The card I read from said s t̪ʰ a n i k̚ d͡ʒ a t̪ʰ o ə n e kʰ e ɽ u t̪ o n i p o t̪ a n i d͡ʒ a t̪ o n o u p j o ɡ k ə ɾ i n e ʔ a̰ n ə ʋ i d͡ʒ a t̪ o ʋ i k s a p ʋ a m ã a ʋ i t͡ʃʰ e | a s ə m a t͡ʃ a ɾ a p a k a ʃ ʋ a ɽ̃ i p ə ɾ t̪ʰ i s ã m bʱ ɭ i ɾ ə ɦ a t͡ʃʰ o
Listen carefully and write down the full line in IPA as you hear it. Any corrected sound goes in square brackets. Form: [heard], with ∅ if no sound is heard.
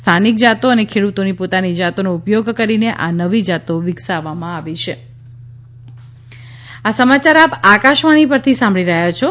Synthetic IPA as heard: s t̪ʰ a n i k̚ d͡ʒ a [t̪] o ə n e kʰ e ɽ u t̪ o n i p o t̪ a n i d͡ʒ a t̪ o n o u p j o ɡ k ə ɾ i n e ʔ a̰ n ə ʋ i d͡ʒ a t̪ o ʋ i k s a [∅] ʋ a m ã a ʋ i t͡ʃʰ e | a s ə m a t͡ʃ a ɾ a p a k a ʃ ʋ a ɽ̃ i p ə ɾ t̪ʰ i s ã m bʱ ɭ i ɾ ə ɦ a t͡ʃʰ o

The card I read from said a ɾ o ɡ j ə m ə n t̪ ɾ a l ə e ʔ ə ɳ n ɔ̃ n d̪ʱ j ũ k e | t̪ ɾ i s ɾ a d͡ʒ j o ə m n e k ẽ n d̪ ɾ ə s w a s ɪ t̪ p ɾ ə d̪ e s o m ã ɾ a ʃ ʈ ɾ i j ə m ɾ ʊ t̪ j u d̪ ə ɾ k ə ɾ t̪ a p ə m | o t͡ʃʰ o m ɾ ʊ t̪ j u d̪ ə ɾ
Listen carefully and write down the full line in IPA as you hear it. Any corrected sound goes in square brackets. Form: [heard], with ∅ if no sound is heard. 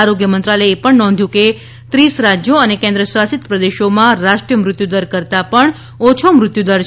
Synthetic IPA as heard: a ɾ o ɡ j ə m ə n t̪ ɾ a l ə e [p] ə ɳ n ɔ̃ n d̪ʱ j ũ k e | t̪ ɾ i s ɾ a d͡ʒ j o ə [∅] n e k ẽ n d̪ ɾ ə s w a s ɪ t̪ p ɾ ə d̪ e [ʃ] o m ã ɾ a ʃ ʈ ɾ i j ə m ɾ ʊ t̪ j u d̪ ə ɾ k ə ɾ t̪ a p ə [ɳ] | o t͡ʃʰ o m ɾ ʊ t̪ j u d̪ ə ɾ

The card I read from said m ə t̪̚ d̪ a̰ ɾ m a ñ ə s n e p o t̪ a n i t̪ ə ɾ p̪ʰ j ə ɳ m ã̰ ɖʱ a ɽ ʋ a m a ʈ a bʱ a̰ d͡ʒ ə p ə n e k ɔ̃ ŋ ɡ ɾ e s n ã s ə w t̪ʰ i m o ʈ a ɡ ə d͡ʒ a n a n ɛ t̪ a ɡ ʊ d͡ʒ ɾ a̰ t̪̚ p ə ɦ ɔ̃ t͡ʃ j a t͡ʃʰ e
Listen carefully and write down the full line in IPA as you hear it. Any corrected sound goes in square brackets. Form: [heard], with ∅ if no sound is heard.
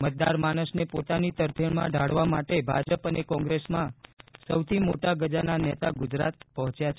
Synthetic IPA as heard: m ə t̪̚ d̪ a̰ ɾ m a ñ ə s n e p o t̪ a n i t̪ ə ɾ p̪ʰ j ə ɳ m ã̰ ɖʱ a ɽ ʋ a m a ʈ [e] bʱ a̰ d͡ʒ ə p ə n e k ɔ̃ ŋ ɡ ɾ e s [m] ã s ə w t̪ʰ i m o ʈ a ɡ ə d͡ʒ a n a n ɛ t̪ a ɡ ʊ d͡ʒ ɾ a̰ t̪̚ p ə ɦ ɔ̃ t͡ʃ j a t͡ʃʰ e

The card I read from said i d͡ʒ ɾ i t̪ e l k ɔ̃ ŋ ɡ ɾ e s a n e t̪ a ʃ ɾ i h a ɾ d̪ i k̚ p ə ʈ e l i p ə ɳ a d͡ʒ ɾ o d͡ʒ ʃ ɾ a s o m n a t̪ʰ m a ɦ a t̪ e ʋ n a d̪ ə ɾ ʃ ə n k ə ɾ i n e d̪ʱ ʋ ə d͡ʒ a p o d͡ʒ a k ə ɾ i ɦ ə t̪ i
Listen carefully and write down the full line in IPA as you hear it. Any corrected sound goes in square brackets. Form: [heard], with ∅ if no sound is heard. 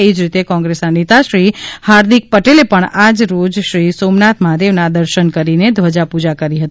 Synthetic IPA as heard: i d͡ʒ ɾ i t̪ e [∅] k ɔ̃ ŋ ɡ ɾ e s a n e t̪ a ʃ ɾ i h a ɾ d̪ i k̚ p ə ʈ e l [e] p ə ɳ a d͡ʒ ɾ o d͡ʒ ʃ ɾ [i] s o m n a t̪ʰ m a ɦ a [d̪] e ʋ n a d̪ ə ɾ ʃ ə n k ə ɾ i n e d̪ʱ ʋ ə d͡ʒ a p [u] d͡ʒ a k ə ɾ i ɦ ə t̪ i

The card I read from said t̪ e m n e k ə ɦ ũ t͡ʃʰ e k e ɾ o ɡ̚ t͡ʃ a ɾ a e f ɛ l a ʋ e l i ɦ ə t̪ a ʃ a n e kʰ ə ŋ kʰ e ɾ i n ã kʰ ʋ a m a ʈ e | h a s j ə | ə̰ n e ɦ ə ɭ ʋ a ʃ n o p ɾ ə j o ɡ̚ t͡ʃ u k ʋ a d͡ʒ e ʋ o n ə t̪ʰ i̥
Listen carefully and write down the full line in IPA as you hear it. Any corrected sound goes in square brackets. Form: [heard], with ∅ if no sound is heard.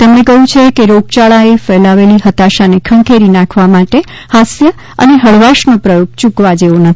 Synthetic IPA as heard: t̪ e m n e k ə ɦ ũ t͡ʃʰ e k e ɾ o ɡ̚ t͡ʃ a [ɭ] a e f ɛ l a ʋ e l i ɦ ə t̪ a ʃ a n e kʰ ə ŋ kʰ e ɾ i n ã kʰ ʋ a m a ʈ e | h a s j ə | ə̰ n e ɦ ə ɭ ʋ a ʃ n o p ɾ ə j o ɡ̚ t͡ʃ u k ʋ a d͡ʒ e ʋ o n ə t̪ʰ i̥

